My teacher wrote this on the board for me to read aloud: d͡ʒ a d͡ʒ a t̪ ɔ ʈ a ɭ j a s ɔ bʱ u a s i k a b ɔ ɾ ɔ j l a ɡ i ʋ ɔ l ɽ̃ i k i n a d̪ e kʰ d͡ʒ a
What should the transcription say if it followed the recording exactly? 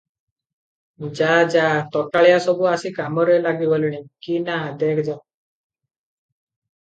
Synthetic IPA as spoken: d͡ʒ a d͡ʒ a t̪ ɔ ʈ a ɭ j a s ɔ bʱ u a s i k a m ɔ ɾ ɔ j l a ɡ i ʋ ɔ l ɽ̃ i k i n a d̪ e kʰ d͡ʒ a